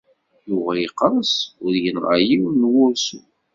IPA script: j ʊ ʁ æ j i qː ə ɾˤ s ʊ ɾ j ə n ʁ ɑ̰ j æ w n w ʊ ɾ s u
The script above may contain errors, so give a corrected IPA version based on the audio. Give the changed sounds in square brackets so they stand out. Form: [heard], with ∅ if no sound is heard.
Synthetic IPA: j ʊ ʁ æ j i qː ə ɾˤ s ʊ ɾ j ə n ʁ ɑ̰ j [i] w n w ʊ ɾ s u